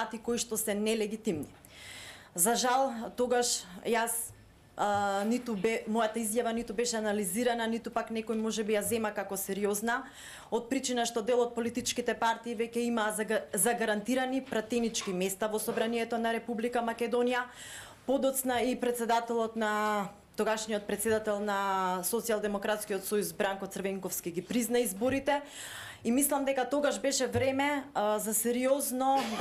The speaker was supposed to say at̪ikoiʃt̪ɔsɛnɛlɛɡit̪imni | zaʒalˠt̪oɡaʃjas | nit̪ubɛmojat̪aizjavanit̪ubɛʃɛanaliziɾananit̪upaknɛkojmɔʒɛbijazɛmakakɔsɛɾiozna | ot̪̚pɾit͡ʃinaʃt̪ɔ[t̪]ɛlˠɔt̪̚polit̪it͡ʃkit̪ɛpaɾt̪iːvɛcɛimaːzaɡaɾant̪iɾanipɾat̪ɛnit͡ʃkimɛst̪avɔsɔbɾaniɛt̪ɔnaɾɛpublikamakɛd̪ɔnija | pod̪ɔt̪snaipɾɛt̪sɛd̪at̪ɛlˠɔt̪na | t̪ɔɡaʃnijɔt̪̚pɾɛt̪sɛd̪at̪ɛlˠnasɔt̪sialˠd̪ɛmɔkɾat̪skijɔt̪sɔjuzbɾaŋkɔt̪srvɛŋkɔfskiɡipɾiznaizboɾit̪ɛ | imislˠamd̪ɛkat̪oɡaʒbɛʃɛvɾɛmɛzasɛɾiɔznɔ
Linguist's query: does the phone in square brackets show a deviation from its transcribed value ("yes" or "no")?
yes